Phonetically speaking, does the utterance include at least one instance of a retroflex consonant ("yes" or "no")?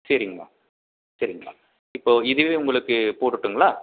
yes